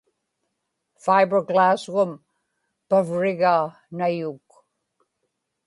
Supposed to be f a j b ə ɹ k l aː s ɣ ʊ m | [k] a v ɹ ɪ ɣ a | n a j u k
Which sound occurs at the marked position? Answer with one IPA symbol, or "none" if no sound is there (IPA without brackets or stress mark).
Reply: p